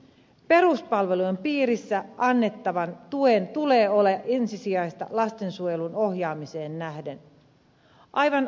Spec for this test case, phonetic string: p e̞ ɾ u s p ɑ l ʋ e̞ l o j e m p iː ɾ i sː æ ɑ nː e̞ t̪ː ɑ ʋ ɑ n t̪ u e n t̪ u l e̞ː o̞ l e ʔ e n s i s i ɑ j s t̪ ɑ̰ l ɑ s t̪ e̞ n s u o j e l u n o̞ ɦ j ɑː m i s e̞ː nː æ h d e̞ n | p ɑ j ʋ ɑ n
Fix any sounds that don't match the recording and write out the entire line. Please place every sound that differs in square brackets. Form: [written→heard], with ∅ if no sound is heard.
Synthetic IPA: p e̞ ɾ u s p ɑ l ʋ e̞ l [o→u] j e m p iː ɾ i sː æ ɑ nː e̞ t̪ː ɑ ʋ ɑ n t̪ u e n t̪ u l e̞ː o̞ l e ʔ e n s i s i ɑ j s t̪ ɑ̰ l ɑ s t̪ e̞ n s u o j e l u n o̞ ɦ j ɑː m i s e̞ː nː æ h d e̞ n | [p→ʔ] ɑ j ʋ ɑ n